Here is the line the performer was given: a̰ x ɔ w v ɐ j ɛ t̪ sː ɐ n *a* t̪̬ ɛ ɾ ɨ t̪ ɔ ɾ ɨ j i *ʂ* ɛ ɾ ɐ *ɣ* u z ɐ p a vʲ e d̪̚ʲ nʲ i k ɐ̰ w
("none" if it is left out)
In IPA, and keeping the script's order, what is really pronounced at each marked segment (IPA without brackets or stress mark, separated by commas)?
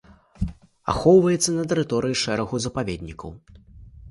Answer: ɐ, ʂ, ɣ